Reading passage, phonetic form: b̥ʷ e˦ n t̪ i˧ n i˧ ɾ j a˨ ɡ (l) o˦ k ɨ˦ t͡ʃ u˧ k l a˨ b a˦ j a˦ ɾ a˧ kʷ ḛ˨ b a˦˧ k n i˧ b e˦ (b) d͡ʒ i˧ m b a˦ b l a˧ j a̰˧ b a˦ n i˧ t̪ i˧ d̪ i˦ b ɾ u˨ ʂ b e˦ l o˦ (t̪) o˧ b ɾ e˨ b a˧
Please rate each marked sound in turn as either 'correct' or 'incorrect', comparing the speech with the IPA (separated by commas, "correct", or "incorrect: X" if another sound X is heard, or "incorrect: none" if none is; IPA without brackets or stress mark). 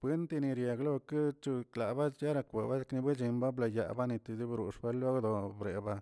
correct, incorrect: none, incorrect: d̪